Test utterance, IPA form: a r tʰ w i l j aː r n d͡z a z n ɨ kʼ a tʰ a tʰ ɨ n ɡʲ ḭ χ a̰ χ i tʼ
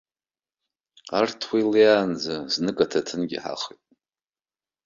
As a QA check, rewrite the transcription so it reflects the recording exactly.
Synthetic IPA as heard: a r tʰ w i l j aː n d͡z a z n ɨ kʼ a tʰ a tʰ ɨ n ɡʲ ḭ ħ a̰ χ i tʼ